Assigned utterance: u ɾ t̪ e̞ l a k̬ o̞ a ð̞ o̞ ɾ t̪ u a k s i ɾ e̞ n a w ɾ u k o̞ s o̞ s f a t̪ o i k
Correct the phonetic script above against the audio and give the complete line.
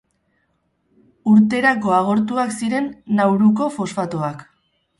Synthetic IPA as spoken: u ɾ t̪ e̞ ɾ a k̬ o̞ a ɣ̞ o̞ ɾ t̪ u a k s i ɾ e̞ nː a w ɾ u k o̞ f o̞ s f a t̪ o a k